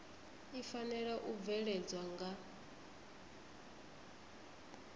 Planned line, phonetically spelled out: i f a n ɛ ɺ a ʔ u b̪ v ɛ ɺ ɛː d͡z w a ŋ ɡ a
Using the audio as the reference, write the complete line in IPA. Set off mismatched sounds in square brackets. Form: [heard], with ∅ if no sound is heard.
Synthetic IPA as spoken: i f a n ɛ ɺ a ʔ u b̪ v ɛ ɺ [ɛ] d͡z w a ŋ ɡ a

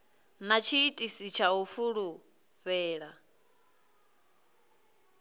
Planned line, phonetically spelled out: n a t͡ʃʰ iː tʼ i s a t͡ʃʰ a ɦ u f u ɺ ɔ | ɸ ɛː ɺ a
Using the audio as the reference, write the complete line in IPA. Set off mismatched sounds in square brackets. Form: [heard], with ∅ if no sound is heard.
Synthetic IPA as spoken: n a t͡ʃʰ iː tʼ i s [i] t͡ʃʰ a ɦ u f u ɺ [u] | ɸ ɛː ɺ a

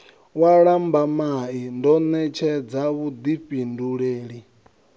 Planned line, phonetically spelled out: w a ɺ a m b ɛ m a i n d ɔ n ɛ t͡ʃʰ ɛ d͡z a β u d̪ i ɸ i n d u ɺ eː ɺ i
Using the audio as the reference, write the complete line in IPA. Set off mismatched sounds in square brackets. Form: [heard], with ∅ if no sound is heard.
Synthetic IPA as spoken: w a ɺ a m b [a] m a i n d ɔ n ɛ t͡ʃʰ ɛ d͡z a β u d̪ i ɸ i n d u ɺ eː ɺ i

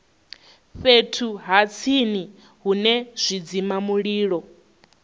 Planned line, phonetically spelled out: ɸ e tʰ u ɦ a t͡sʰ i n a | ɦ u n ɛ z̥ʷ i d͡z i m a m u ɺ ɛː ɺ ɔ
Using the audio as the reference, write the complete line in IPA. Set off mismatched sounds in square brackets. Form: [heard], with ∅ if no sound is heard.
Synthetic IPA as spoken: ɸ e tʰ u ɦ a t͡sʰ i n [i] | ɦ u n ɛ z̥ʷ i d͡z i m a m u ɺ [iː] ɺ ɔ

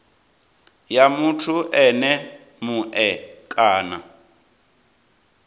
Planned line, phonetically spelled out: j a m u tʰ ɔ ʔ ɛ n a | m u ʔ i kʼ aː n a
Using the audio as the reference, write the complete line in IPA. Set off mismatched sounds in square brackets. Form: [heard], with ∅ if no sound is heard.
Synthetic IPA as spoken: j a m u tʰ [u] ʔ ɛ n [ɛ] | m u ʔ [ɛ] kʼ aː n a

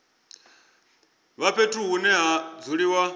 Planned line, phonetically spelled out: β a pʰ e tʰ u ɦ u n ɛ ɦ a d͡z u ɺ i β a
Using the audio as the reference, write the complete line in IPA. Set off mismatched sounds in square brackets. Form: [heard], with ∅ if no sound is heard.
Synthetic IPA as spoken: β a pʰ e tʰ u ɦ u n ɛ ɦ a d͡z u ɺ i [w] a

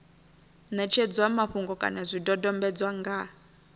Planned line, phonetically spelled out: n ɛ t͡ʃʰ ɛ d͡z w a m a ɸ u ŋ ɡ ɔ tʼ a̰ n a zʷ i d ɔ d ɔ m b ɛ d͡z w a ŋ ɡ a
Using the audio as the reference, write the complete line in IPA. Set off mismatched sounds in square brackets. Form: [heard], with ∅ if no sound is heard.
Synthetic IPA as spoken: n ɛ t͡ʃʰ ɛ d͡z w a m a ɸ u ŋ ɡ ɔ [kʼ] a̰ n a zʷ i d ɔ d ɔ m b ɛ d͡z w a ŋ ɡ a

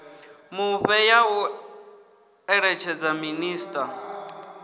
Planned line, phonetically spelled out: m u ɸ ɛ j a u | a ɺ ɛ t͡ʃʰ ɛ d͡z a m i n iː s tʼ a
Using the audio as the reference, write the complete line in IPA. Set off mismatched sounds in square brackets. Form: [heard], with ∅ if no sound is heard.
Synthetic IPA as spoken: m u ɸ ɛ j a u | [ɛ] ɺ ɛ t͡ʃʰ ɛ d͡z a m i n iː s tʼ a

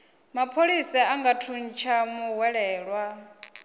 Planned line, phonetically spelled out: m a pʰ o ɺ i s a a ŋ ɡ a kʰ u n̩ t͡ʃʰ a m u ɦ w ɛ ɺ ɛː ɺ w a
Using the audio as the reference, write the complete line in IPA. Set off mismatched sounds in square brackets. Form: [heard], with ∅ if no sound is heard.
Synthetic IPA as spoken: m a pʰ o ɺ i s a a ŋ ɡ a [tʰ] u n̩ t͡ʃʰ a m u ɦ w ɛ ɺ ɛː ɺ w a

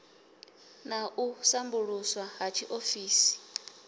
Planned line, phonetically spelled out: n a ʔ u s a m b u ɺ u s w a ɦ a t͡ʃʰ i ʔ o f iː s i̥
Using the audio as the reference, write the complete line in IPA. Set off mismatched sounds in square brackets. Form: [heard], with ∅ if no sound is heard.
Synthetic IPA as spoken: n a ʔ u s a m b u ɺ u s w a ɦ a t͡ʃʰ i ʔ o f iː s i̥

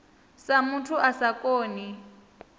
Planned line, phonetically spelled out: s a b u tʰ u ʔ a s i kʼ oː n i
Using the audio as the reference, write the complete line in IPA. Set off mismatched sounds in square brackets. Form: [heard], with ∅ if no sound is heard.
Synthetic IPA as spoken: s a [m] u tʰ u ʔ a s [a] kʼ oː n i

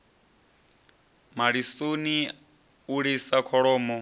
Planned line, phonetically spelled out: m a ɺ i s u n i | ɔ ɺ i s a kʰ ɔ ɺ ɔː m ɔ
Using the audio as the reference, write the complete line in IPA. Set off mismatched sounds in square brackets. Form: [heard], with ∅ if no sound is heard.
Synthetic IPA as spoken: m a ɺ i s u n i | [u] ɺ i s a kʰ ɔ ɺ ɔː m ɔ

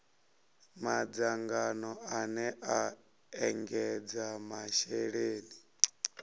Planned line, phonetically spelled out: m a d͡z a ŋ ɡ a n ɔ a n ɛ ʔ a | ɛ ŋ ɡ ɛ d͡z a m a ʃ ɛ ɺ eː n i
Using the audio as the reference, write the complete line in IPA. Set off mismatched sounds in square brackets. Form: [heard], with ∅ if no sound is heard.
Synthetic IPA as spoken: m a d͡z a ŋ ɡ a n ɔ a n ɛ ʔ a | ɛ ŋ ɡ ɛ d͡z a m a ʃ ɛ ɺ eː n i

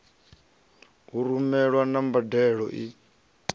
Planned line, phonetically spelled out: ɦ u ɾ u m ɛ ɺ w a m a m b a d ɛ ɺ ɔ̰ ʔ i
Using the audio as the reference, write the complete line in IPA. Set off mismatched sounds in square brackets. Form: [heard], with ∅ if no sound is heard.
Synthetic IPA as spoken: ɦ u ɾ u m ɛ ɺ w a [n] a m b a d ɛ ɺ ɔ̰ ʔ i

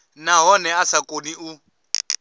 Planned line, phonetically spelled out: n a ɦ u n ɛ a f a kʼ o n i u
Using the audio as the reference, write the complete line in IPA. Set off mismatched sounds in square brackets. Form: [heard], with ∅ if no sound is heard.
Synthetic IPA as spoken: n a ɦ [ɔ] n ɛ a [s] a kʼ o n i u

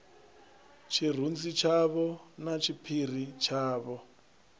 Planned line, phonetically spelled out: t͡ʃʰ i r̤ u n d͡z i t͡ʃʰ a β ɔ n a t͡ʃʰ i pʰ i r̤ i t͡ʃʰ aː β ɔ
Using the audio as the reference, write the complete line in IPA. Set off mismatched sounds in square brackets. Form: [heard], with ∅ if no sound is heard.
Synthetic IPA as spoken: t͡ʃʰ i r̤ u n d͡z i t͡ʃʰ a β ɔ n a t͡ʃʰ i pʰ i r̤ i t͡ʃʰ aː β ɔ

